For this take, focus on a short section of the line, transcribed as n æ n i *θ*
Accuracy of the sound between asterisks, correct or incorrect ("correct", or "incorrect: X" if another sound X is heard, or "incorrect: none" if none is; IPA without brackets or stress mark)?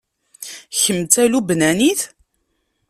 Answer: correct